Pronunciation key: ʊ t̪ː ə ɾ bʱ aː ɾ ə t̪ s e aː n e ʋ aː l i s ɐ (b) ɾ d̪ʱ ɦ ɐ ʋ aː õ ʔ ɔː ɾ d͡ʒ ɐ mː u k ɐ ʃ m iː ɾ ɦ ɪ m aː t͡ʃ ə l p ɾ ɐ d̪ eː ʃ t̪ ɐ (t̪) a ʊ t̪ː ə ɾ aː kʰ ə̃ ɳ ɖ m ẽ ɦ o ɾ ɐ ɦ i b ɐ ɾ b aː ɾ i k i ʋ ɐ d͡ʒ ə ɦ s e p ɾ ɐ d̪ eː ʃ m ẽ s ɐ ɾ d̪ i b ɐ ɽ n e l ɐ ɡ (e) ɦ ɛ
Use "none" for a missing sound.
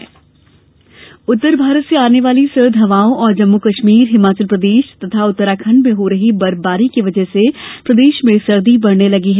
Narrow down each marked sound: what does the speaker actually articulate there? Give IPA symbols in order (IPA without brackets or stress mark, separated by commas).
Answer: none, t̪ʰ, i